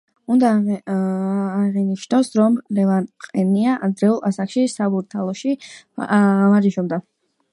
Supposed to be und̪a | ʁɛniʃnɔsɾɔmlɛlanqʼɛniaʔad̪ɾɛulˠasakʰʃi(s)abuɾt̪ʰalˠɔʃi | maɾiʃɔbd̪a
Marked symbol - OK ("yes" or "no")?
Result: yes